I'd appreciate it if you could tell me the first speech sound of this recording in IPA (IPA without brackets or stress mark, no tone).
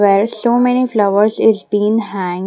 ʋ